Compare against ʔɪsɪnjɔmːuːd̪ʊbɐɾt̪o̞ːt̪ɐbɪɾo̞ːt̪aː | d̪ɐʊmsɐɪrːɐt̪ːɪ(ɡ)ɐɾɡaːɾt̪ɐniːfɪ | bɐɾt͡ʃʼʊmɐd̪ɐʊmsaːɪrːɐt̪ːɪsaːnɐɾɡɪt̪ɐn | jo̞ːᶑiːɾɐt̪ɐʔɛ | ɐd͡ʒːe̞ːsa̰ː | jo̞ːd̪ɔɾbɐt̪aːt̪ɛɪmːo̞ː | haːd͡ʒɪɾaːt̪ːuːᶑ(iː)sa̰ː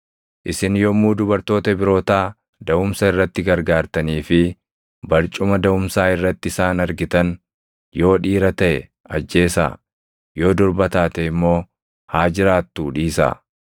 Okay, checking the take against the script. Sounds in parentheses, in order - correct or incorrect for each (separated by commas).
correct, correct